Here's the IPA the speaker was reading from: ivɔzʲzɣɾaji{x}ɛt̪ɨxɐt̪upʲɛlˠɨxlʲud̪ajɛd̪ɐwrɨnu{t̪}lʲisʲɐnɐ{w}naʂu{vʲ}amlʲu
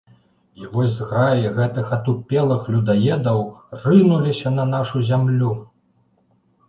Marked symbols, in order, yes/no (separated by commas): no, no, no, no